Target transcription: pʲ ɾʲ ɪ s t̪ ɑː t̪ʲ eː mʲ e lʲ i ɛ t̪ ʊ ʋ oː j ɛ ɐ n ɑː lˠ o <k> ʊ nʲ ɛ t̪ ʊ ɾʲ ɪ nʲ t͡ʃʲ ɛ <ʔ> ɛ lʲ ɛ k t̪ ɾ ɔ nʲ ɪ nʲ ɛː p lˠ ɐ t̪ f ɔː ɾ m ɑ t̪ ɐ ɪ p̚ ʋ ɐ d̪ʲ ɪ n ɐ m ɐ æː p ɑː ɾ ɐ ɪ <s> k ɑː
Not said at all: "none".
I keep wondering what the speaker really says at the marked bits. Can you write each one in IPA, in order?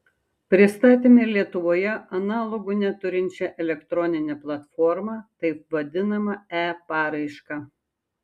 ɡ, ʔ, ʃ

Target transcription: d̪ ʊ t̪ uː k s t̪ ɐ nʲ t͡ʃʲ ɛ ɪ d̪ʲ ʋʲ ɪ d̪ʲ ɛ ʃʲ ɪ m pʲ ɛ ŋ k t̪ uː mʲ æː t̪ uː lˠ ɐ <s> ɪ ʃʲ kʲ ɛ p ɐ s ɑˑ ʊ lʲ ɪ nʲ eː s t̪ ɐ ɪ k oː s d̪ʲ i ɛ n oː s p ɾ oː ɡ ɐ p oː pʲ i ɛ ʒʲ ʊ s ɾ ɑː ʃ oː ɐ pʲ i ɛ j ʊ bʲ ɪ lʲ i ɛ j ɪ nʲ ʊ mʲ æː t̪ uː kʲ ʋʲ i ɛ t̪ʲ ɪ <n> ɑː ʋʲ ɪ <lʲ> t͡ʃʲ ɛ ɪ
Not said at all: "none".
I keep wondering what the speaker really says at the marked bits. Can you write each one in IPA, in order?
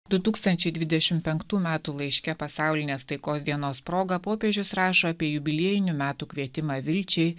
none, m, lʲ

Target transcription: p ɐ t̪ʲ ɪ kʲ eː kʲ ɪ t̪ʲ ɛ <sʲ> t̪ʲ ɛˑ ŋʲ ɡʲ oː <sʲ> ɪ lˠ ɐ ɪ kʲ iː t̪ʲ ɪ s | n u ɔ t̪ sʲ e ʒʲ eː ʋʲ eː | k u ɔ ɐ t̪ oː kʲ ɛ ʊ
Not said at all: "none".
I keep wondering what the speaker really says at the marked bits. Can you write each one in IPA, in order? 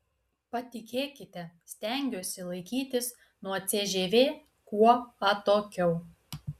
sʲ, sʲ

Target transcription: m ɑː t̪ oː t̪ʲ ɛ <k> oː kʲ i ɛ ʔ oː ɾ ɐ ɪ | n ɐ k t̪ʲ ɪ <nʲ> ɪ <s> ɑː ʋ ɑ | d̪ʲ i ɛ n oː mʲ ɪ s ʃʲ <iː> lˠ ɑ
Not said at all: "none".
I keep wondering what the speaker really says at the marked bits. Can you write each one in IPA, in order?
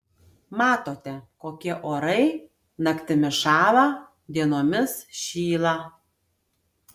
k, mʲ, ʃ, iː

